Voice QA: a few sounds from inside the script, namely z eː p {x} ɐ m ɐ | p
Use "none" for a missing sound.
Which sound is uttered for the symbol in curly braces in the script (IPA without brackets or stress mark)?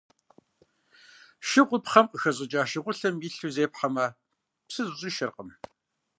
ħ